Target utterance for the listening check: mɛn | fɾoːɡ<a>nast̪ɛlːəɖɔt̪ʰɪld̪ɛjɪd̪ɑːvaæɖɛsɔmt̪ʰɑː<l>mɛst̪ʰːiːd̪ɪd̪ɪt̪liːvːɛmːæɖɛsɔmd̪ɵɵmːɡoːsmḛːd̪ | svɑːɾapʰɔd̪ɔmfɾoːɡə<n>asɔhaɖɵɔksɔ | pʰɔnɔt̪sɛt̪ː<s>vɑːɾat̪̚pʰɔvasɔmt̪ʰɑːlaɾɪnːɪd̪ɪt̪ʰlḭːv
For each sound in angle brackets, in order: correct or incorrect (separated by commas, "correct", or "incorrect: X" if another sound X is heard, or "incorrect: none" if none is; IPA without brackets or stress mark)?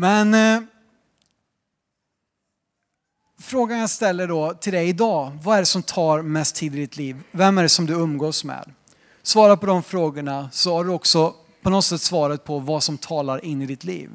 correct, incorrect: ɾ, incorrect: ɳ, correct